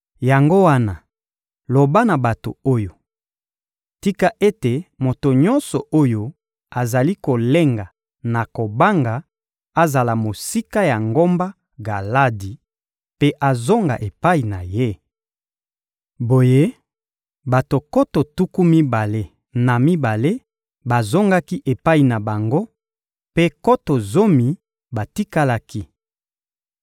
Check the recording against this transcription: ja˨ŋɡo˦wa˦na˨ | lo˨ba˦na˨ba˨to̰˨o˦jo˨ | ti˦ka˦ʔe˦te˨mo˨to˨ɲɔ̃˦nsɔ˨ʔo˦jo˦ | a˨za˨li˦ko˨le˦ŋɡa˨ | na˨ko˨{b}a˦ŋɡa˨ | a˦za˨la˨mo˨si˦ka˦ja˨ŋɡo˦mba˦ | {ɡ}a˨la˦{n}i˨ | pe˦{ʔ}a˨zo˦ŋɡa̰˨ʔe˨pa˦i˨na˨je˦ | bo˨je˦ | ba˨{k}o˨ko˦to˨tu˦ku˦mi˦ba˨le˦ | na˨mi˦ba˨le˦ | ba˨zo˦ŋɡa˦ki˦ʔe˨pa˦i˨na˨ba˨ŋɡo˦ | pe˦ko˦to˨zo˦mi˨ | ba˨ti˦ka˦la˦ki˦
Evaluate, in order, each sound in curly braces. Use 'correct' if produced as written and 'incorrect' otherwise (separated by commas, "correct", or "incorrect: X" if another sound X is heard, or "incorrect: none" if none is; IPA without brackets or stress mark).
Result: correct, correct, incorrect: d, correct, incorrect: t